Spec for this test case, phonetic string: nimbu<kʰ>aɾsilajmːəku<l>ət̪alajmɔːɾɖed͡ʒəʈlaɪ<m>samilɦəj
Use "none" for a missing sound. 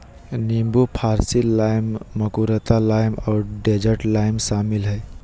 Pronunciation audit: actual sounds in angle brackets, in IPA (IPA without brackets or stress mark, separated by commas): pʰ, ɾ, m